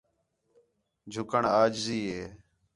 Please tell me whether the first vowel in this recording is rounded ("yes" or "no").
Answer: yes